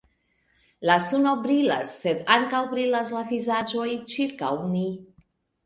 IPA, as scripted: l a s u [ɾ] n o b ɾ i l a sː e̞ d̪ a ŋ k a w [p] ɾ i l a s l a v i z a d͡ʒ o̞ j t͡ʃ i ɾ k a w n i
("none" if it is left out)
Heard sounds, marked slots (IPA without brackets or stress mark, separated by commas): none, b